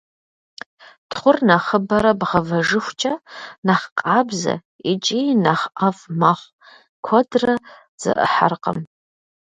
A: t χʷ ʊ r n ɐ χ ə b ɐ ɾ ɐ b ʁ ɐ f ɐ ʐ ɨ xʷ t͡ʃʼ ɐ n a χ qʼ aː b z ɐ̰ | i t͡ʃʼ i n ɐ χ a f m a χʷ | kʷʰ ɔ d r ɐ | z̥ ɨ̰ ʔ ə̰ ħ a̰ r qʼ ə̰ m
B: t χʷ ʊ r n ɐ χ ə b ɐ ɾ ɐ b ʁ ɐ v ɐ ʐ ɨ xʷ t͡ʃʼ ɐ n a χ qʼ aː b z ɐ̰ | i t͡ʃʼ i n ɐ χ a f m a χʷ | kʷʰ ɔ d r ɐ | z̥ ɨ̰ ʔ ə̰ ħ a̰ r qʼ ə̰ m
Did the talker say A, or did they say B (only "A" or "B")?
B